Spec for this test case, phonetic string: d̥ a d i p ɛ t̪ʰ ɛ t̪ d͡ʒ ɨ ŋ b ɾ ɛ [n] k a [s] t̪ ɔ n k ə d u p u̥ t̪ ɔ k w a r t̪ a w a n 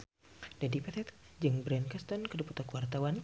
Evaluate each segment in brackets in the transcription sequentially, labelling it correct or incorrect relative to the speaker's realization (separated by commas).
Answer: correct, correct